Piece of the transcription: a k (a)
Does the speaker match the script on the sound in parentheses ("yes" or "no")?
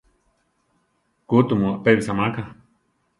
yes